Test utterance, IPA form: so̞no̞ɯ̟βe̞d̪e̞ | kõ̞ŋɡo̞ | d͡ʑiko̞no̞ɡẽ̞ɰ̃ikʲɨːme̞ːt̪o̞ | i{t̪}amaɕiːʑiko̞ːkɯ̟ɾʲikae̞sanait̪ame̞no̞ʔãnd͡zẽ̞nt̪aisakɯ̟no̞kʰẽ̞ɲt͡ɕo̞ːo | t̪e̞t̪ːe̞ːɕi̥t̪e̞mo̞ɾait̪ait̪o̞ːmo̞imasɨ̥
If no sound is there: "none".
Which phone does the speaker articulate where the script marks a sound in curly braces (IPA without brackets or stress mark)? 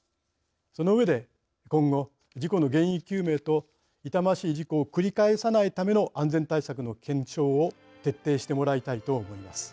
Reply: t̪